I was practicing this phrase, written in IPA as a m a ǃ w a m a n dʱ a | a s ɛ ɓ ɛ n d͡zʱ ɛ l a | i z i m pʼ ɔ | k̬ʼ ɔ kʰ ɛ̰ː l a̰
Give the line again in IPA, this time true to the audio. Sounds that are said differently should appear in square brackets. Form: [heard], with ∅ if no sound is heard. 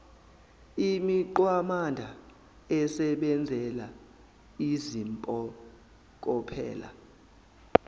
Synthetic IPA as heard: [i] m [i] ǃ w a m a n dʱ a | [ɛ] s ɛ ɓ ɛ n d͡zʱ ɛ l a | i z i m pʼ ɔ | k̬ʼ ɔ [pʰ] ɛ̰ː l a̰